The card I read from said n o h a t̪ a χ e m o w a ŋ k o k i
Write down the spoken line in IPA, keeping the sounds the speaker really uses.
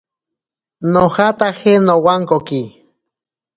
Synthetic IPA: n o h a t̪ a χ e n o w a ŋ k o k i

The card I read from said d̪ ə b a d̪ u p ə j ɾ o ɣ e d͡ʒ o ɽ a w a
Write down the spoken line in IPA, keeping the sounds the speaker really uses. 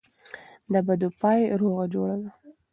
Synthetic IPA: d̪ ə b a d̪ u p ɑ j ɾ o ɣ a d͡ʒ o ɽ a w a

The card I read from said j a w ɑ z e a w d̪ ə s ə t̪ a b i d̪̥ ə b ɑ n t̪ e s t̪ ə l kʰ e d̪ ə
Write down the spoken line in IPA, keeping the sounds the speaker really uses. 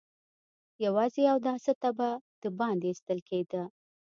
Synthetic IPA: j a w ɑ z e a w d̪ ɑ s ə t̪ a b a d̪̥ ə b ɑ n d̪ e s t̪ ə l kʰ e d̪ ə

